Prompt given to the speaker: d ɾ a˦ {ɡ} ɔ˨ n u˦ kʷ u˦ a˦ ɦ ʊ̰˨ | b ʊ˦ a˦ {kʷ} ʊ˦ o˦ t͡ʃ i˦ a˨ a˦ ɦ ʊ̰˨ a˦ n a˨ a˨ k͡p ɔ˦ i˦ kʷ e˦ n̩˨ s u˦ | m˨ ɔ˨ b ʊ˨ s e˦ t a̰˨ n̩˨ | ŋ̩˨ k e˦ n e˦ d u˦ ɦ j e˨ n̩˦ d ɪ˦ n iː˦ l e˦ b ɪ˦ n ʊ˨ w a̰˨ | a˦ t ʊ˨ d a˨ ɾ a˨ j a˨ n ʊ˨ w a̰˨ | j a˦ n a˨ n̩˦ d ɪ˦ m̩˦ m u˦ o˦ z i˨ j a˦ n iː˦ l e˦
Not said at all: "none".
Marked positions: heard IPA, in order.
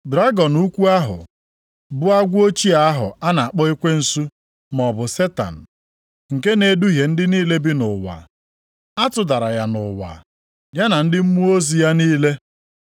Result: ɡ, ɡʷ

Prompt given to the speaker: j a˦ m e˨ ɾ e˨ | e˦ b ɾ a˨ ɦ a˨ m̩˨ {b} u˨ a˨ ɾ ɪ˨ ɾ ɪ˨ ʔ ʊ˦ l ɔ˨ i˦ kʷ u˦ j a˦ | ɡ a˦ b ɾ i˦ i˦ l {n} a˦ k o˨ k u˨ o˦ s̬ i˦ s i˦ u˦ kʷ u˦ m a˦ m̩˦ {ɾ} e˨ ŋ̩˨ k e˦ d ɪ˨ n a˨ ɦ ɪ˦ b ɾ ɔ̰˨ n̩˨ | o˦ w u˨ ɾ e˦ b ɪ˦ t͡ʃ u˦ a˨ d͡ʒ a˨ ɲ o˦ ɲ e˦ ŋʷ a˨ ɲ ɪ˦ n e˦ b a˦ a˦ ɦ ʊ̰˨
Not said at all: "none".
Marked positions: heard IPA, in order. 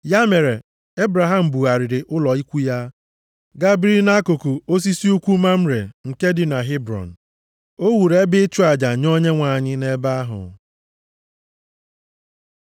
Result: b, n, ɾ

